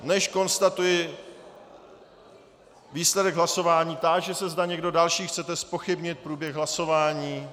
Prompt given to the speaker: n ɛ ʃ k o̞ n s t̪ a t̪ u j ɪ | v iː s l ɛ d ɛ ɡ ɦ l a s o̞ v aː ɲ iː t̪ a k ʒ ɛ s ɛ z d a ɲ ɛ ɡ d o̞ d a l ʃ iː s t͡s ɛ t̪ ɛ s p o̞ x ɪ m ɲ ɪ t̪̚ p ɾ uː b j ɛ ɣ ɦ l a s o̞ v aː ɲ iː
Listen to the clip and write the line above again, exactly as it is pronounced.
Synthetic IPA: n ɛ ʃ k o̞ n s t̪ a t̪ u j ɪ | v iː s l ɛ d ɛ ɡ ɦ l a s o̞ v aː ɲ iː t̪ a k ʒ ɛ s ɛ z d a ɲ ɛ ɡ d o̞ d a l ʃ iː x t͡s ɛ t̪ ɛ s p o̞ x ɪ b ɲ ɪ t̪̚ p ɾ uː b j ɛ ɣ ɦ l a s o̞ v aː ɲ iː